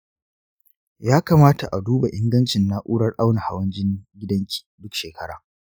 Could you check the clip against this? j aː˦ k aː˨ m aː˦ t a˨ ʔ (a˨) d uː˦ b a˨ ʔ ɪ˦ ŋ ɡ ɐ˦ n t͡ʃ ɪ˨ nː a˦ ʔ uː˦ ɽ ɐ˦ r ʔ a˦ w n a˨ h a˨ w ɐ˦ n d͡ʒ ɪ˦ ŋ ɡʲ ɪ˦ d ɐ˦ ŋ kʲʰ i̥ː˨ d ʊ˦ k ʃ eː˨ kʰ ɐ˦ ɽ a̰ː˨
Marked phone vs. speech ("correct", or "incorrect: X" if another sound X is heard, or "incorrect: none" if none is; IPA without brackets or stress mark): correct